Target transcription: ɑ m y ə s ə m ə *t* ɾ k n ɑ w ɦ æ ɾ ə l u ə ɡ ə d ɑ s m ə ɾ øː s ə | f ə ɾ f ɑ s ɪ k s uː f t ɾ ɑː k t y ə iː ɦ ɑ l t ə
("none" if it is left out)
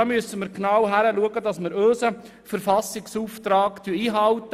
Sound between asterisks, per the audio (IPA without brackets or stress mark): none